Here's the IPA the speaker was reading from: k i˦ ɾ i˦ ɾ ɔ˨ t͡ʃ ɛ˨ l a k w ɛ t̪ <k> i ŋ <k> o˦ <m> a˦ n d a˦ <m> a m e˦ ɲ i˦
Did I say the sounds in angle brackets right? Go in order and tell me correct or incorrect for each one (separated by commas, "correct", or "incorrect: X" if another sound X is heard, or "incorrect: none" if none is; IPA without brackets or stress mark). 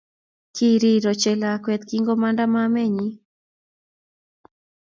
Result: correct, incorrect: ɡ, correct, correct